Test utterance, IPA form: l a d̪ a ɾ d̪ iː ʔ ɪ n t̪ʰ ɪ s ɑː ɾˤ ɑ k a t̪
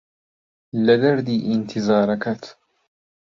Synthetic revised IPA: l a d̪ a ɾ d̪ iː ʔ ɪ n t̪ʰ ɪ z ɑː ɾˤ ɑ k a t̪